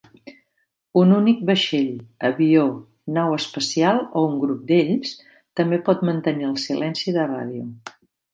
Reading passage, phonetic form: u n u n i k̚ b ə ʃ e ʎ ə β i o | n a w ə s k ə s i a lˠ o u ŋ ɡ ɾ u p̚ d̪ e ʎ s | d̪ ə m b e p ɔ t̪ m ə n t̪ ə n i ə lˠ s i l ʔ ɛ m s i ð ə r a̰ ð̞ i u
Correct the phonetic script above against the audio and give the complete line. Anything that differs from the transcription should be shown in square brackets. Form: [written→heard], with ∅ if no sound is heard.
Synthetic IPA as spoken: u n u n i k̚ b ə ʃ e ʎ ə β i o | n a w ə s [k→p] ə s i a lˠ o u ŋ ɡ ɾ u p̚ d̪ e ʎ s | [d̪→t̪] ə m b e p ɔ t̪ m ə n t̪ ə n i ə lˠ s i l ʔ ɛ [m→n] s i ð ə r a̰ ð̞ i u